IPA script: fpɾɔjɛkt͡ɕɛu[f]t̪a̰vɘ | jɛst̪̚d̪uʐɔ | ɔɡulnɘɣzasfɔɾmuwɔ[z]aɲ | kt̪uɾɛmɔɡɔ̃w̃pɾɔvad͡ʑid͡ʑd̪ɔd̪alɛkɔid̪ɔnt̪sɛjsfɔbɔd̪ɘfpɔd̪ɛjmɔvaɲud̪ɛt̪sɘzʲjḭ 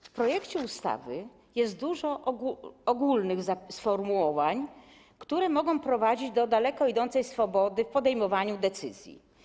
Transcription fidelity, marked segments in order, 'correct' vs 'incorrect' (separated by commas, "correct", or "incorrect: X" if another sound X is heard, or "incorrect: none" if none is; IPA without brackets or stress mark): incorrect: s, incorrect: v